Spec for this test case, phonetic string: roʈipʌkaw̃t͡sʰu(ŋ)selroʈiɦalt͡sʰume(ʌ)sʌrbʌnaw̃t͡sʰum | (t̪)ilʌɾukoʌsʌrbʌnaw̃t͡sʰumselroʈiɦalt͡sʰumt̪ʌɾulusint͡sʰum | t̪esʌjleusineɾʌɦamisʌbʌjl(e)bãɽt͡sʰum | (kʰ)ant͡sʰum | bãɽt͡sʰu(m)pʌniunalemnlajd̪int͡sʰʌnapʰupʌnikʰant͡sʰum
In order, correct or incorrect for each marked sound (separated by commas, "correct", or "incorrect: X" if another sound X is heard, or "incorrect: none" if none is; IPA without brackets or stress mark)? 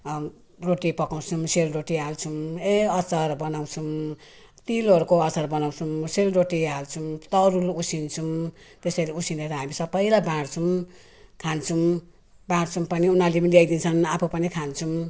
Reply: incorrect: m, correct, correct, incorrect: a, correct, correct